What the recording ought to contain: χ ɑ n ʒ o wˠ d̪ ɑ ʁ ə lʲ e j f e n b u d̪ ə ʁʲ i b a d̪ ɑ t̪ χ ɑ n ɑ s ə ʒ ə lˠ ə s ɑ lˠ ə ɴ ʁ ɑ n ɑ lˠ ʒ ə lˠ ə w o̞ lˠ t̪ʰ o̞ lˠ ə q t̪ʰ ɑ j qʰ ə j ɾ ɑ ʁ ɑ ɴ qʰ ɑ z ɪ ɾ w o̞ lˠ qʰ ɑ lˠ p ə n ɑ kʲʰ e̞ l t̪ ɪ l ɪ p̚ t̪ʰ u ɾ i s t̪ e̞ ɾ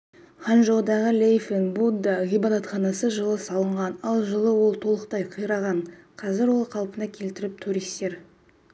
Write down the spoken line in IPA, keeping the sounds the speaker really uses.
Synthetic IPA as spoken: χ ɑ n ʒ o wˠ d̪ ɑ ʁ ə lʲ e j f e n b u d̪ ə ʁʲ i b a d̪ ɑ t̪ χ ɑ n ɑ s ə ʒ ə lˠ ə s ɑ lˠ ə ɴ ʁ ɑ n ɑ lˠ ʒ ə lˠ ə w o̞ lˠ t̪ʰ o̞ lˠ ə q t̪ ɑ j qʰ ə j ɾ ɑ ʁ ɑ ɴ qʰ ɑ z ɪ ɾ w o̞ lˠ qʰ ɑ lˠ p ə n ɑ kʲʰ e̞ l t̪ ɪ ɾ ɪ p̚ t̪ʰ u ɾ i s t̪ e̞ ɾ

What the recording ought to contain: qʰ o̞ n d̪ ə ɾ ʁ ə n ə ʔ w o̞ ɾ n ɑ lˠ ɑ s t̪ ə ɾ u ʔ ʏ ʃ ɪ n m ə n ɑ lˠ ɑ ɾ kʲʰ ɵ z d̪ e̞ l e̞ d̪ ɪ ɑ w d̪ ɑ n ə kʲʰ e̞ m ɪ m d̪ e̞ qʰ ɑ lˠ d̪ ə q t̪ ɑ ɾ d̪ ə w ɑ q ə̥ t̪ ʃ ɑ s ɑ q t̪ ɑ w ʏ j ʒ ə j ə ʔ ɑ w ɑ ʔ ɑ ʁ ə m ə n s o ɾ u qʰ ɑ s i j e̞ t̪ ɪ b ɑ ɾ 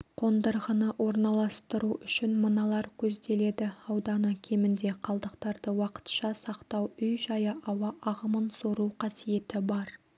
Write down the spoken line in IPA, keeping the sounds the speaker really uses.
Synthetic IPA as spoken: qʰ o̞ n d̪ ə ɾ ʁ ə n ə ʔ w o̞ ɾ n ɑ lˠ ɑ s t̪ ə ɾ u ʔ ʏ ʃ ɪ n m ə n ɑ lˠ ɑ ɾ kʲʰ ɵ z d̪ e̞ l e̞ d̪ ɪ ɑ w d̪ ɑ n ə kʲʰ e̞ m ɪ n d̪ e̞ qʰ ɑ lˠ d̪ ə q t̪ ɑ ɾ d̪ ə w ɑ q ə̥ t̪ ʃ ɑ s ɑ q t̪ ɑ w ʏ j ʒ ɑ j ə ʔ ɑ w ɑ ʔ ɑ ʁ ə m ə n s o ɾ u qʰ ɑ s i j e̞ t̪ ɪ b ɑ ɾ

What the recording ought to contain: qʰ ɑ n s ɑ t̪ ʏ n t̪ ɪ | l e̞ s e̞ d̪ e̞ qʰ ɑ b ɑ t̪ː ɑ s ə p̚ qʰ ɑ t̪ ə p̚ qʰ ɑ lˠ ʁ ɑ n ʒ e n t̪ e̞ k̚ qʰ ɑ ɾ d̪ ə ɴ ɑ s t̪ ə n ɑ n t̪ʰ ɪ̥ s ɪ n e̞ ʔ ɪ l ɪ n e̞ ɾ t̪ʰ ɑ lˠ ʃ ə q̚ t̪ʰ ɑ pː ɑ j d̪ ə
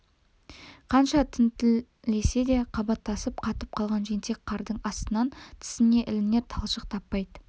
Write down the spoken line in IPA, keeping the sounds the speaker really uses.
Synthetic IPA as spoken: qʰ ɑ n ʃ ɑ t̪ʰ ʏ n t̪ ɪ | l e̞ s e̞ d̪ e̞ qʰ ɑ b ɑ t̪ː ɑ s ə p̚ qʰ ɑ t̪ ə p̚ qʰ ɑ lˠ ʁ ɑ n ʒ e n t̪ e̞ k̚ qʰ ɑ ɾ d̪ ə ɴ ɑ s t̪ ə n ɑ n t̪ʰ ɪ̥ s ɪ n e̞ ʔ ɪ l ɪ n e̞ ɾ t̪ʰ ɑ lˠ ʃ ə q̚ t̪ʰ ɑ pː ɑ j d̪ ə

